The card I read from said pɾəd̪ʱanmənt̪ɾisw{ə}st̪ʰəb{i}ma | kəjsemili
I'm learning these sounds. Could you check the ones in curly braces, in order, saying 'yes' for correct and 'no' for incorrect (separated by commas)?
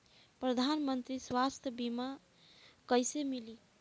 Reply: no, yes